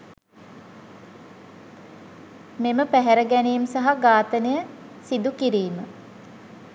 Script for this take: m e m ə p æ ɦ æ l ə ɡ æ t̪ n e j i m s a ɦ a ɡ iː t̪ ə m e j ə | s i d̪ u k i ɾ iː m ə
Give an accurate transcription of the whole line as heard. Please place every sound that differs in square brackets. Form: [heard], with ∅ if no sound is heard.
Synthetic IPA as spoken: m e m ə p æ ɦ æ [ɾ] ə ɡ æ [∅] n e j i m s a ɦ a ɡ [aː] t̪ ə [n] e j ə | s i d̪ u k i ɾ iː m ə